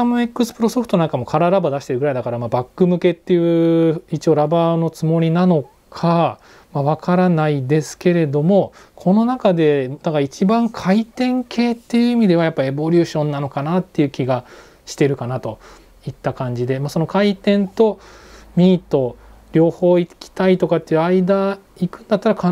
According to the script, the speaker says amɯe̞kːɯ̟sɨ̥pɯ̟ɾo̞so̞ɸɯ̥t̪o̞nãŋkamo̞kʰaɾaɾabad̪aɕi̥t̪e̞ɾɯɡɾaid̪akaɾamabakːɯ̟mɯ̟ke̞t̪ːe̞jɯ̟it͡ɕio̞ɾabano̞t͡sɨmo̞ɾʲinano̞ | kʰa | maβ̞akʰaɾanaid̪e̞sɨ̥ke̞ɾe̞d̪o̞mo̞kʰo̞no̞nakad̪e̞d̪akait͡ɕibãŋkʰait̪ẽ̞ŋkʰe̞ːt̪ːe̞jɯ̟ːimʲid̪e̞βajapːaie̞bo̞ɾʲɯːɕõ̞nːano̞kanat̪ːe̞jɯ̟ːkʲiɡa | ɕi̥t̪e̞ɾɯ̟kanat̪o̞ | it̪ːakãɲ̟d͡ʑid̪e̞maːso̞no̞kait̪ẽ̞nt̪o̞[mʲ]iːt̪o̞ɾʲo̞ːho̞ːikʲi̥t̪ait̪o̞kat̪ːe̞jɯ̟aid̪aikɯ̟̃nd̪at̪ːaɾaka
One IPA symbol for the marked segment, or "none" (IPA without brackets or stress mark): mʲ